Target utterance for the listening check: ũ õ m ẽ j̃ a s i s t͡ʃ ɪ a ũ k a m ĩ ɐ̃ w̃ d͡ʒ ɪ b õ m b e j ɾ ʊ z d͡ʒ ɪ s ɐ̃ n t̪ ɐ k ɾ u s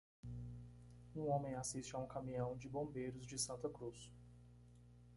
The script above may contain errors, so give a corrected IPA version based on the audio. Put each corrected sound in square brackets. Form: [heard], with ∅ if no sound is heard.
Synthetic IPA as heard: ũ õ m ẽ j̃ a s i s t͡ʃ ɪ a ũ k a m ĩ ɐ̃ w̃ d͡ʒ ɪ b õ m b e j ɾ ʊ z d͡ʒ ɪ s ɐ̃ n t̪ ɐ k ɾ u s